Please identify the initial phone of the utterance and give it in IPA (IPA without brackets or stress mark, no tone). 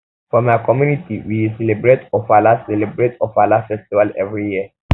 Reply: f